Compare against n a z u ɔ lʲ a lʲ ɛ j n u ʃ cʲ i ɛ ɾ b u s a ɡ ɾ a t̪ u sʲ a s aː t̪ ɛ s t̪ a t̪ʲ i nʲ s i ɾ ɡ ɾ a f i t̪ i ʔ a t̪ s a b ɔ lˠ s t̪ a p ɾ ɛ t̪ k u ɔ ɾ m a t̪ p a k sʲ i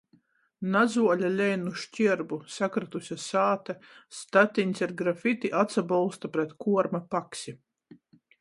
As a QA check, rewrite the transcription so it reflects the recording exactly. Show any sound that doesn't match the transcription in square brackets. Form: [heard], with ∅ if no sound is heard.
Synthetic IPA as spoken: n a z u ɔ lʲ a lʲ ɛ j n u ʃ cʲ i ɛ ɾ b u s a [k] ɾ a t̪ u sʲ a s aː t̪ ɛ s t̪ a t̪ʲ i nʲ s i ɾ ɡ ɾ a f i t̪ i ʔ a t̪ s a b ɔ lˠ s t̪ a p ɾ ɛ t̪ k u ɔ ɾ m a [∅] p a k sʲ i